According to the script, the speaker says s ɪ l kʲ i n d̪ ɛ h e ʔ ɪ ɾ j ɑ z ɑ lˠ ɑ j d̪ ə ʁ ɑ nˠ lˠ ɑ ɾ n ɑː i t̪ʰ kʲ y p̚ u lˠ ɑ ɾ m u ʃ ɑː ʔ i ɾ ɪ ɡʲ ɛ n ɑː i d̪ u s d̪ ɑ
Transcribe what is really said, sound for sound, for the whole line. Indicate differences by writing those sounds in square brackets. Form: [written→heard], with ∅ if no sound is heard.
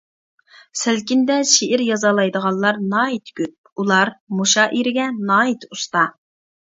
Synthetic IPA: s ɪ l kʲ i n d̪ ɛ [h→ʃ] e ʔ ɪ ɾ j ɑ z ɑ lˠ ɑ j d̪ ə ʁ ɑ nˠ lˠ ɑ ɾ n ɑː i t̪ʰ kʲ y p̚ u lˠ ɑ ɾ m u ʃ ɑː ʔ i ɾ ɪ ɡʲ ɛ n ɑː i [d̪→t̪] u s [d̪→t̪] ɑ